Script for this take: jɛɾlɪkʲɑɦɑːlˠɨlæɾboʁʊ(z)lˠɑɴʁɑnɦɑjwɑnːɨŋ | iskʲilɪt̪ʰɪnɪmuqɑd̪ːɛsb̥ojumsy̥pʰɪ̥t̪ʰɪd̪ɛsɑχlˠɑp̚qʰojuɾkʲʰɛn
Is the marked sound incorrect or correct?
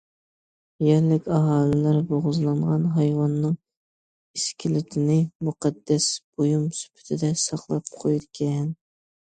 correct